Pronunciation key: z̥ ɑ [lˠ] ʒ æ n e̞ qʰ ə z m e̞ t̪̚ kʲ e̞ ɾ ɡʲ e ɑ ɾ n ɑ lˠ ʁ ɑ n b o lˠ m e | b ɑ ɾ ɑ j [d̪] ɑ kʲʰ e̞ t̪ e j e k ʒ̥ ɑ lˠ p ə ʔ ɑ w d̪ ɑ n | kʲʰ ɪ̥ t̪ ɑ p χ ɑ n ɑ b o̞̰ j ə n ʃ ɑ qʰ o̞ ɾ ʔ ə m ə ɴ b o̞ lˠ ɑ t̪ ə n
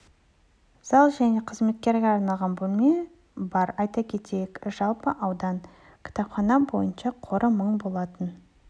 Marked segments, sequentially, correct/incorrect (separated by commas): correct, incorrect